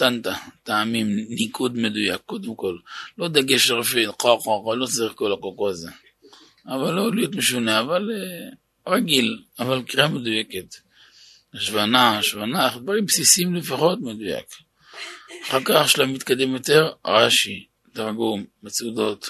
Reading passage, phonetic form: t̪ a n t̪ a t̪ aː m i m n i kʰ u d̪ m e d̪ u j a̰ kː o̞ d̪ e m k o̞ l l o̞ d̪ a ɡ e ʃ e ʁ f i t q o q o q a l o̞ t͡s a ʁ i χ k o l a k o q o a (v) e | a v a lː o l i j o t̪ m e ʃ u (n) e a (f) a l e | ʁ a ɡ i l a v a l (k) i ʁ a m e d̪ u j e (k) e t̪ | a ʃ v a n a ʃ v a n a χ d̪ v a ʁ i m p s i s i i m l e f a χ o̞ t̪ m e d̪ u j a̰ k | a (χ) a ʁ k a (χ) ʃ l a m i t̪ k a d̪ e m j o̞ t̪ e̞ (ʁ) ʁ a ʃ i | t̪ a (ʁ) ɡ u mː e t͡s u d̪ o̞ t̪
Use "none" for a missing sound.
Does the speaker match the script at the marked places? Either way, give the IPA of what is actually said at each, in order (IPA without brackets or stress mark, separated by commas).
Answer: z, n, v, k, k, χ, χ, ʁ, ʁ